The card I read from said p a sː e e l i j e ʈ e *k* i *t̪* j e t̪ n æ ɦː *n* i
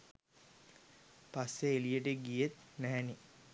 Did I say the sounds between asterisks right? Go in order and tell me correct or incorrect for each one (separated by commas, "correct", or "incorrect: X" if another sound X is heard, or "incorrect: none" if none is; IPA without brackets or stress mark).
incorrect: ɡ, incorrect: none, correct